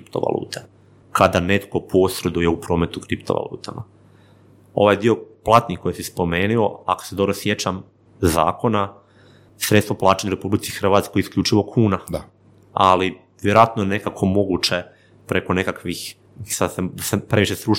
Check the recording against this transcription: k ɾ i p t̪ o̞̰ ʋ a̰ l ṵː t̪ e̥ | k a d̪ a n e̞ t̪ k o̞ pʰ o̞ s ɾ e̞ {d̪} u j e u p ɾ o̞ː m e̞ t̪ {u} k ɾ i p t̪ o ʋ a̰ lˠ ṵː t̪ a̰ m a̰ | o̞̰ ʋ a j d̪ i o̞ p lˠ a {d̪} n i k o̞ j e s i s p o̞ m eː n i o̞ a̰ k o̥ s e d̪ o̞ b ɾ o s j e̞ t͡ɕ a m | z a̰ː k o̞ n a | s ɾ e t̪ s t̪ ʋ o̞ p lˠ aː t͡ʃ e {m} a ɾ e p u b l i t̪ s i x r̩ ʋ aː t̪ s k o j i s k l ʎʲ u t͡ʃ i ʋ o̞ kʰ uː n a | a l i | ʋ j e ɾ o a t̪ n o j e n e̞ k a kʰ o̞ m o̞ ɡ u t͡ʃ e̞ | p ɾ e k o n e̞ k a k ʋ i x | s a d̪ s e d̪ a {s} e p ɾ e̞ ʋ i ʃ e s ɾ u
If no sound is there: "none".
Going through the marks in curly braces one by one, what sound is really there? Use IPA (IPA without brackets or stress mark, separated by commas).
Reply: d̪, u, t̪, ɲ, s